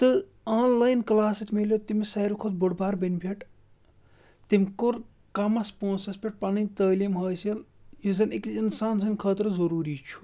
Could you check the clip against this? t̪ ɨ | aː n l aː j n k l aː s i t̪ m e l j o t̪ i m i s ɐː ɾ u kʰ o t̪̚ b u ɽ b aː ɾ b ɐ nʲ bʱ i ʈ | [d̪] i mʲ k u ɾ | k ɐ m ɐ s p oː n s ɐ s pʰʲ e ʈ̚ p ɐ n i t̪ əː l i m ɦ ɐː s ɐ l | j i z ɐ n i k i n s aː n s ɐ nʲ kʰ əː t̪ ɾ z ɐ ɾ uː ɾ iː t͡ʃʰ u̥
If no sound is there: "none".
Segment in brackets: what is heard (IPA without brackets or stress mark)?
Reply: t̪